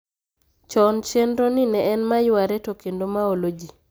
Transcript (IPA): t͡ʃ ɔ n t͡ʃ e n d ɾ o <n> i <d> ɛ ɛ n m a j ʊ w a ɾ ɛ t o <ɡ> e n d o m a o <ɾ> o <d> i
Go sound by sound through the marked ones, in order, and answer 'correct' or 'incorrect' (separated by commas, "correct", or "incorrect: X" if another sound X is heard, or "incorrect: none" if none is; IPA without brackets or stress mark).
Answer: correct, incorrect: n, incorrect: k, incorrect: l, incorrect: d͡ʒ